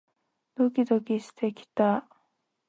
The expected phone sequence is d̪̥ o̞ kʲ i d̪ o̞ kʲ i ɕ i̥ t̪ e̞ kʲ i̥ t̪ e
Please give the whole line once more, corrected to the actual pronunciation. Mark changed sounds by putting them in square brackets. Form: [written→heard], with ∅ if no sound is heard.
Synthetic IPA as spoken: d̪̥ o̞ kʲ i d̪ o̞ kʲ i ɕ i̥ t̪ e̞ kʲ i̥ t̪ [e→a]